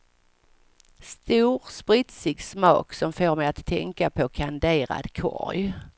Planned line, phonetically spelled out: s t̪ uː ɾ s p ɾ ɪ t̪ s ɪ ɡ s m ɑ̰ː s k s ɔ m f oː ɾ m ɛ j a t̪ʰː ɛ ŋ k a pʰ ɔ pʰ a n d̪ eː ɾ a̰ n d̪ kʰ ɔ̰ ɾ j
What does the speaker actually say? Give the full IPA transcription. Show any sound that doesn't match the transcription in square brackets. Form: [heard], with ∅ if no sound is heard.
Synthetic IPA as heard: s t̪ uː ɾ s p ɾ ɪ t̪ s ɪ ɡ s m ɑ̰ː [∅] k s ɔ m f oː ɾ m ɛ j a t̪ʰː ɛ ŋ k a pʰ ɔ [kʰ] a n d̪ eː ɾ a̰ [∅] d̪ kʰ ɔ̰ ɾ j

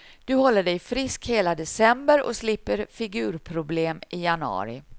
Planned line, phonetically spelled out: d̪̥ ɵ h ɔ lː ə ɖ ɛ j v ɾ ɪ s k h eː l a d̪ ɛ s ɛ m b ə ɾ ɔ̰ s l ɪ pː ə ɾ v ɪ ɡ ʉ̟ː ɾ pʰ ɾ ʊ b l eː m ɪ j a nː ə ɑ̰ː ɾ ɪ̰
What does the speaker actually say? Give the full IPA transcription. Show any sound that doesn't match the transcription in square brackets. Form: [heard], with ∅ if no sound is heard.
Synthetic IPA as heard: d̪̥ ɵ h ɔ lː ə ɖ ɛ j [f] ɾ ɪ s k h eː l a d̪ ɛ s ɛ m b ə ɾ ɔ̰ s l ɪ pː ə ɾ [f] ɪ ɡ ʉ̟ː ɾ pʰ ɾ ʊ b l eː m ɪ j a [n] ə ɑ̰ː ɾ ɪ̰

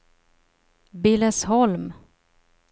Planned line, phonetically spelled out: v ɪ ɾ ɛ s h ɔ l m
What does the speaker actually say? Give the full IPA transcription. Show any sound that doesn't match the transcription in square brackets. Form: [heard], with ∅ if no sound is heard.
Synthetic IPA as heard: [b] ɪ [l] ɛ s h ɔ l m

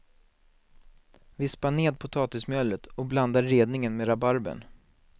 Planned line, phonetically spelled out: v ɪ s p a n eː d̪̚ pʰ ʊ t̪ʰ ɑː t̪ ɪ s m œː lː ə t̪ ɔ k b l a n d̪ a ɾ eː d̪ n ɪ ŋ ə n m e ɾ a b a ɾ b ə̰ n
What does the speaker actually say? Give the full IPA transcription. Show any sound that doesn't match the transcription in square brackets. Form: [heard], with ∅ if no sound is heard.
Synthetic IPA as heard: v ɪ s p a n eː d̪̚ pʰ ʊ t̪ʰ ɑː t̪ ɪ s m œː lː ə t̪ ɔ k b l a n d̪ a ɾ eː d̪ n ɪ ŋ ə n m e ɾ a b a ɾ b ə̰ n

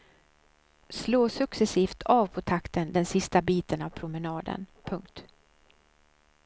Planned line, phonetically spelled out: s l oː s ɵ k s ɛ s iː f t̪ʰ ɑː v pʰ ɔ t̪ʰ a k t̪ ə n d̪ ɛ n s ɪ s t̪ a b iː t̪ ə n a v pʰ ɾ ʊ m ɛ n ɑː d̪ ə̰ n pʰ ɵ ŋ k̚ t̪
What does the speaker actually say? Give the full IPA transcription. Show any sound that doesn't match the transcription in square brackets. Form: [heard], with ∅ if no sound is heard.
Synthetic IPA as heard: s l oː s ɵ k s ɛ s iː f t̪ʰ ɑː v pʰ ɔ t̪ʰ a k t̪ ə n d̪ ɛ n s ɪ s t̪ a b iː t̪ ə n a v pʰ ɾ ʊ m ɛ n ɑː d̪ ə̰ n pʰ ɵ ŋ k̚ t̪

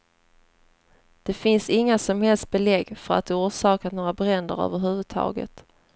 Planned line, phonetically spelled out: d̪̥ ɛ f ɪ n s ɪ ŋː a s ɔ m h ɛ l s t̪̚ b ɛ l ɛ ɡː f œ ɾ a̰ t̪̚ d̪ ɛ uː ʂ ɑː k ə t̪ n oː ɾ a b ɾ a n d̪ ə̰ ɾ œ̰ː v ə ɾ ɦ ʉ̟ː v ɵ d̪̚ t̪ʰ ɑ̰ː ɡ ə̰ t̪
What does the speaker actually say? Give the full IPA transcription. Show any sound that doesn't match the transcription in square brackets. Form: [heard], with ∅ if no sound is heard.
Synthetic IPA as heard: d̪̥ ɛ f ɪ n s ɪ ŋː a s ɔ m h ɛ l s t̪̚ b ɛ l ɛ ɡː f œ ɾ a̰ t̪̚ d̪ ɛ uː ʂ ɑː k [a] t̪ n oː ɾ a b ɾ [ɛ] n d̪ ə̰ ɾ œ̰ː v ə ɾ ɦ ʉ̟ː v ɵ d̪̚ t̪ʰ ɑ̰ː ɡ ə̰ t̪

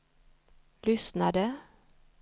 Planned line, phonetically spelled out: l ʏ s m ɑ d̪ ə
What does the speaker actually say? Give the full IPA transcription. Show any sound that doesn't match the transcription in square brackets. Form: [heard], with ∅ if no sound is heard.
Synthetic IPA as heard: l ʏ s [n] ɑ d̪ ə

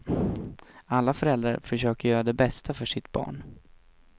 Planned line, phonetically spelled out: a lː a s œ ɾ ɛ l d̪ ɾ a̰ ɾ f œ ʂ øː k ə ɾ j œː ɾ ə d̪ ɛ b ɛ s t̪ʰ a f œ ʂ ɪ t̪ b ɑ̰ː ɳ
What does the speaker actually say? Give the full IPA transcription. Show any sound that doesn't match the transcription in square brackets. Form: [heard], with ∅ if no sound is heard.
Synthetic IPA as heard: a lː a [f] œ ɾ ɛ l d̪ ɾ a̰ ɾ f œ ʂ øː k ə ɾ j œː ɾ [a] d̪ ɛ b ɛ s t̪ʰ a f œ ʂ ɪ t̪ b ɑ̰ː ɳ

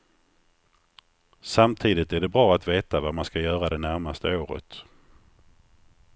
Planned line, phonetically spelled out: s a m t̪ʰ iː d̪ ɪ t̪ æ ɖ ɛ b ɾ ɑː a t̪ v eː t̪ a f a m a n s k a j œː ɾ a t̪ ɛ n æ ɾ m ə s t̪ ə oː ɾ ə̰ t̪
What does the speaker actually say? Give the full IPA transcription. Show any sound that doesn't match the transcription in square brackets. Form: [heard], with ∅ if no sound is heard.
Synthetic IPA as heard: s a m t̪ʰ iː d̪ ɪ t̪ æ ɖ ɛ b ɾ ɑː a t̪ v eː t̪ a [v] a m a n s k a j œː ɾ a [d̪] ɛ n æ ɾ m [a] s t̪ ə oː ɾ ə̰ t̪

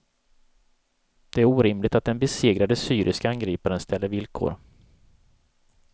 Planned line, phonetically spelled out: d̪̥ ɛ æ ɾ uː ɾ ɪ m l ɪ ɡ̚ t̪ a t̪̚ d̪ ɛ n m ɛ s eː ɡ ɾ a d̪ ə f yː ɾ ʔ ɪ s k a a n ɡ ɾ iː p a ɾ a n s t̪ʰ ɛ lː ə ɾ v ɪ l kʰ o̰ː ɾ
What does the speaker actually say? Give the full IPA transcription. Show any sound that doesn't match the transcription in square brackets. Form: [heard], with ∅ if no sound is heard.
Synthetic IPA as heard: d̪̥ ɛ æ ɾ uː ɾ ɪ m l ɪ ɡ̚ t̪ a t̪̚ d̪ ɛ n [b] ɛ s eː ɡ ɾ a d̪ ə [s] yː ɾ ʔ ɪ s k a a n ɡ ɾ iː p a ɾ [ə] n s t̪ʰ ɛ lː ə ɾ v ɪ l kʰ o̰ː ɾ

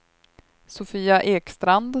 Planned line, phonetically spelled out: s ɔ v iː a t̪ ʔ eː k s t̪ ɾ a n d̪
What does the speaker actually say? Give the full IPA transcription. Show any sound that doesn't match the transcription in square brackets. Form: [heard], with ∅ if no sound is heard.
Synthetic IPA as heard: s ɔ [f] iː a [∅] ʔ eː k s t̪ ɾ a n d̪

